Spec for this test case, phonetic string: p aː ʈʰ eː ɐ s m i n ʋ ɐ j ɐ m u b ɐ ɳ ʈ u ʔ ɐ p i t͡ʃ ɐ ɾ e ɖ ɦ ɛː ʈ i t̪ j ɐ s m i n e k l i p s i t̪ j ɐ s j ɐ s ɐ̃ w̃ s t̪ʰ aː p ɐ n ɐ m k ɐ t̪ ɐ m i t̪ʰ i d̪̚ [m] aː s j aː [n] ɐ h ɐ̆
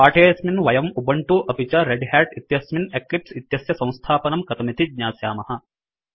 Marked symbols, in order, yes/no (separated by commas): no, no